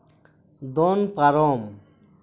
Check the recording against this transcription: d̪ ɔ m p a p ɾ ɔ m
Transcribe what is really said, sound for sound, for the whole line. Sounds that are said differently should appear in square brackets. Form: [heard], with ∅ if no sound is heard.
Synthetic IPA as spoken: d̪ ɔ [n] p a [∅] ɾ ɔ m

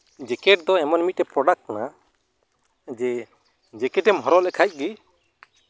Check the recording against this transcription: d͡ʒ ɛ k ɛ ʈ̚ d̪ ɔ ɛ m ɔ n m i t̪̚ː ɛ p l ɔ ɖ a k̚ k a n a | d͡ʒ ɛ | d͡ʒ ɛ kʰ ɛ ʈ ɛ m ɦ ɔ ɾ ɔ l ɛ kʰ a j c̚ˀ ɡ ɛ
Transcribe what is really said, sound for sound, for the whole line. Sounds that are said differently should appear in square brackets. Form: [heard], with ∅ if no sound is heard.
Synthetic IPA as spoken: d͡ʒ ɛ k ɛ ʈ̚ d̪ ɔ ɛ m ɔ n m i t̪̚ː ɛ p [ɾ] ɔ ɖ a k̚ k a n a | d͡ʒ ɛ | d͡ʒ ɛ [k] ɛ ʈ ɛ m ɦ ɔ ɾ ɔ l ɛ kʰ a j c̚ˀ ɡ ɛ

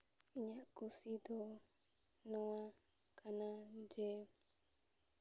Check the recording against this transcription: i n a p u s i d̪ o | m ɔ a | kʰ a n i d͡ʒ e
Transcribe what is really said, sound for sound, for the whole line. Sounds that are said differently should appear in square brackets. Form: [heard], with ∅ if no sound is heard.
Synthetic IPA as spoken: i [ɲ] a [k] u s i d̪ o | [n] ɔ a | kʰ a n [a] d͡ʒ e

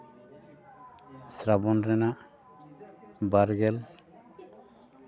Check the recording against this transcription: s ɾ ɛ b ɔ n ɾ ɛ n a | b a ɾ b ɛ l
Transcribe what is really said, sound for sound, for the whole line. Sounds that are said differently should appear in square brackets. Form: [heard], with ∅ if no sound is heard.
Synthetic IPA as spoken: s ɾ [a] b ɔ n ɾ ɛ n a | b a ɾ [ɡ] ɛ l

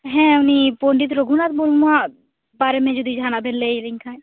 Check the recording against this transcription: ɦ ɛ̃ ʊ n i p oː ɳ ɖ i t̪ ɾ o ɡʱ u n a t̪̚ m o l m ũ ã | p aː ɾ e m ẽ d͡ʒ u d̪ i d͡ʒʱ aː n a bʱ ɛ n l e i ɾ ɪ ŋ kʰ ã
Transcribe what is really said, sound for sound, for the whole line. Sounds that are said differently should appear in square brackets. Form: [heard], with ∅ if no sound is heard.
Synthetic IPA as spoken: ɦ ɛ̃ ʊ n i p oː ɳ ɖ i t̪ ɾ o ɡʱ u n a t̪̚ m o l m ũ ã | [b] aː ɾ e m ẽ d͡ʒ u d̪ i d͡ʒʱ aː n a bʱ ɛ n l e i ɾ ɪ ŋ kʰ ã

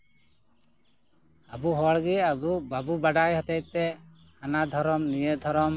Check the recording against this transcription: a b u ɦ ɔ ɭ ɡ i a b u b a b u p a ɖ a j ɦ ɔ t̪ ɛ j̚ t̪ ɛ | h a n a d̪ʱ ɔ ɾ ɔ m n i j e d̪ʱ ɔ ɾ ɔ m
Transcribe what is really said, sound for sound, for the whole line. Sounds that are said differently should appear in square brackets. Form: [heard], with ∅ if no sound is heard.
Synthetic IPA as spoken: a b u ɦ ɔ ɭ ɡ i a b u b a b u [b] a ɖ a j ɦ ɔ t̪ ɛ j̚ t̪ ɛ | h a n a d̪ʱ ɔ ɾ ɔ m n i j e d̪ʱ ɔ ɾ ɔ m

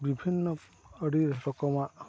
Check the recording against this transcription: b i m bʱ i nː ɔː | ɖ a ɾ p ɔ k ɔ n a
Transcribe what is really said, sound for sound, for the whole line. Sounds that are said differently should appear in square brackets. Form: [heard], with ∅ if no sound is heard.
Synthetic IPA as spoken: b i [∅] bʱ i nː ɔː | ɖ [i] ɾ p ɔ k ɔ [m] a

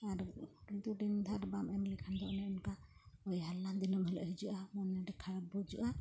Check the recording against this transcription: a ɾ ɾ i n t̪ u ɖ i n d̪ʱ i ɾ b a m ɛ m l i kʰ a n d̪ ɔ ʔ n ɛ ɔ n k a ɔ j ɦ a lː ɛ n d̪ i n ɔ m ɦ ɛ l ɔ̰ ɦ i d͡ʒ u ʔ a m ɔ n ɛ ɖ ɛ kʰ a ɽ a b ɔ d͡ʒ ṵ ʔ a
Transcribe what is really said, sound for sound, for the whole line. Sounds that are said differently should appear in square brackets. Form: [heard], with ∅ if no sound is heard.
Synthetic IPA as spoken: a ɾ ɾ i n t̪ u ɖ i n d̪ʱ [a] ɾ b a m ɛ m l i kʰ a n d̪ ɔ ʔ n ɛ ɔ n k a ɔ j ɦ a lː [a] n d̪ i n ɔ m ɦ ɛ l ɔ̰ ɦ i d͡ʒ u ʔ a m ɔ n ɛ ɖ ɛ kʰ a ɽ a b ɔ d͡ʒ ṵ ʔ a

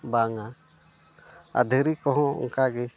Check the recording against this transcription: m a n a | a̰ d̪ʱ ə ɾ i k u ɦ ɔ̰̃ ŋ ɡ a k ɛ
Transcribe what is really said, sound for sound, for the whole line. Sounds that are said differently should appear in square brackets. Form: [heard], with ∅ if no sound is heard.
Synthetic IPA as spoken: [b] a [ŋ] a | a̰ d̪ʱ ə ɾ i k [ɔ] ɦ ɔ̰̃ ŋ [k] a [ɡ] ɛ

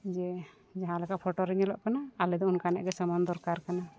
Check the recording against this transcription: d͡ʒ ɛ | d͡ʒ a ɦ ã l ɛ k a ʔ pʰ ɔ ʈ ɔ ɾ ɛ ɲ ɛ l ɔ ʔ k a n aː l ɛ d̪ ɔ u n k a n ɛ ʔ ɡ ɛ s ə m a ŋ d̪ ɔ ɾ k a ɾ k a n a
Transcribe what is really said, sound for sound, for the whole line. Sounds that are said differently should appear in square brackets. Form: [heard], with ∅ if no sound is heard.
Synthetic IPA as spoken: d͡ʒ ɛ | d͡ʒ a ɦ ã l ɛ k a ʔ pʰ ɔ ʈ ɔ ɾ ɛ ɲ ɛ l ɔ ʔ k a n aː l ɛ d̪ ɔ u n k a n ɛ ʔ ɡ ɛ s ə m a [n] d̪ ɔ ɾ k a ɾ k a n a

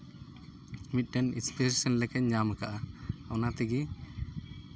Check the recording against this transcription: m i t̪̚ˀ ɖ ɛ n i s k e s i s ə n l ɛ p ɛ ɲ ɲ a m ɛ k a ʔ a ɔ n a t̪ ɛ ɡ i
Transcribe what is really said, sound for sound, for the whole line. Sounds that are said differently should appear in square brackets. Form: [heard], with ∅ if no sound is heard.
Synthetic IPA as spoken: m i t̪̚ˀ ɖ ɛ n i s [p] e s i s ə n l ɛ [k] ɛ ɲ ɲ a m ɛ k a ʔ a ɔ n a t̪ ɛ ɡ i

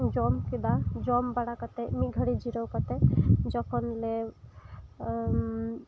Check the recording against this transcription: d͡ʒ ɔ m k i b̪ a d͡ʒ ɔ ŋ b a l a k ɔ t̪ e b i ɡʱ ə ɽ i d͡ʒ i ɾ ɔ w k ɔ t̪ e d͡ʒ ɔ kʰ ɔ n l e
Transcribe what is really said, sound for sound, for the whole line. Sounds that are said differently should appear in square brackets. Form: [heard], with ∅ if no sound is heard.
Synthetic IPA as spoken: d͡ʒ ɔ m k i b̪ a d͡ʒ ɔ [m] b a [ɽ] a k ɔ t̪ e [m] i ɡʱ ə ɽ i d͡ʒ i ɾ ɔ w k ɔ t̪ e d͡ʒ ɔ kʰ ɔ n l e

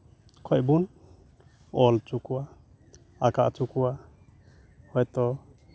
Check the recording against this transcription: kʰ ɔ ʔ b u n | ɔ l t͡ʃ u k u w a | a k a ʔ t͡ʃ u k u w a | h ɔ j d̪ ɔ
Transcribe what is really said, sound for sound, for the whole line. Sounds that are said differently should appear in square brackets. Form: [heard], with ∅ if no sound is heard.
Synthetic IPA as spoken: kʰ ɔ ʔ b u n | ɔ l t͡ʃ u k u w a | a k a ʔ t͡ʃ u k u w a | h ɔ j [t̪] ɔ

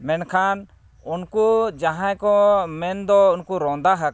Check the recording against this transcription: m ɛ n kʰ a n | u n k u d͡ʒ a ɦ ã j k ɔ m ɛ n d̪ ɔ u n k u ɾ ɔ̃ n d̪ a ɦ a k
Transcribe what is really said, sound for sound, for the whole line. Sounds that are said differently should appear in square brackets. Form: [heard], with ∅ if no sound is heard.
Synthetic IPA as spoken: m ɛ n kʰ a n | u n k u d͡ʒ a ɦ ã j k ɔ m ɛ n d̪ ɔ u n k u ɾ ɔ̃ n d̪ a ɦ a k

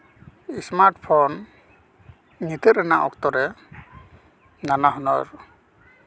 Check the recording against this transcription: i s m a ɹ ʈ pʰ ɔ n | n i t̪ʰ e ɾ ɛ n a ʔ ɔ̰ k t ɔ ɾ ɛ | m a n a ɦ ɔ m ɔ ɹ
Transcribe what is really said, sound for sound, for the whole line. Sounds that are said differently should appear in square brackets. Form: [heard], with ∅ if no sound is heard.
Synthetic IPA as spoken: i s m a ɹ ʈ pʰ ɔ n | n i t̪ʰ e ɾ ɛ n a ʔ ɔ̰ k t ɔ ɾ ɛ | [n] a n a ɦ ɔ [n] ɔ ɹ

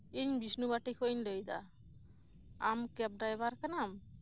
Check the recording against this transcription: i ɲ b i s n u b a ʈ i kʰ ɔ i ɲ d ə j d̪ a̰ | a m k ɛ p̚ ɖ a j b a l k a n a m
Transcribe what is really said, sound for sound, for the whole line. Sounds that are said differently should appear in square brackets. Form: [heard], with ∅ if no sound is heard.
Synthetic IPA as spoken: i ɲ b i s n u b a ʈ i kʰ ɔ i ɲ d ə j d̪ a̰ | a m k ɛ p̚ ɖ a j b a [ɾ] k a n a m

